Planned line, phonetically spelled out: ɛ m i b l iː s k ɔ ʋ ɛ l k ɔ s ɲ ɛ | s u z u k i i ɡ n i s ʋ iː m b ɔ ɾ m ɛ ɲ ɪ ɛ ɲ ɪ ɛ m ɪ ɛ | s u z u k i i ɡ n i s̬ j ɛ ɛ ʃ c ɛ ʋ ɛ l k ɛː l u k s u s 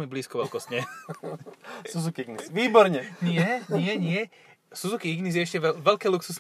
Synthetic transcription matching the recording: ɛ m i b l iː s k ɔ ʋ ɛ l k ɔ s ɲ ɛ | s u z u k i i ɡ n i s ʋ iː b ɔ ɾ ɲ ɛ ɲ ɪ ɛ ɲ ɪ ɛ ɲ ɪ ɛ | s u z u k i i ɡ n i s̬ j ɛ ɛ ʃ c ɛ ʋ ɛ l k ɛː l u k s u s